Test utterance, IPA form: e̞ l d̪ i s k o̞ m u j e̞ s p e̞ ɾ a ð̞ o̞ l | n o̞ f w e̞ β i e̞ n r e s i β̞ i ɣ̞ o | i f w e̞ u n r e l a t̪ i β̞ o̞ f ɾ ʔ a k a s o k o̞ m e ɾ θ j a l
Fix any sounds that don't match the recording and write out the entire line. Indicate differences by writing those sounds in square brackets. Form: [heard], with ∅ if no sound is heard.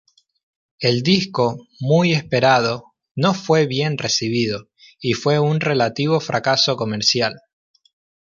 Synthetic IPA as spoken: e̞ l d̪ i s k o̞ m u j e̞ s p e̞ ɾ a ð̞ o̞ [∅] | n o̞ f w e̞ β [j] e̞ n r e s i β̞ i [ð̞] o | i f w e̞ u n r e l a t̪ i β̞ o̞ f ɾ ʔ a k a s o k o̞ m e ɾ [s] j a l